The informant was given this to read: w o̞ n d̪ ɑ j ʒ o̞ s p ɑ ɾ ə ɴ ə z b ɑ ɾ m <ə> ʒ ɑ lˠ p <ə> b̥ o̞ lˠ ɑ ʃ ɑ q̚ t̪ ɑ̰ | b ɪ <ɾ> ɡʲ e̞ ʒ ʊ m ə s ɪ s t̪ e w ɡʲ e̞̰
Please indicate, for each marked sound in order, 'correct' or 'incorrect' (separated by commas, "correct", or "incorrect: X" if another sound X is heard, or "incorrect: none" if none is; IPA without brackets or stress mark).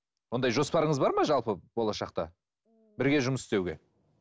incorrect: ɑ, correct, correct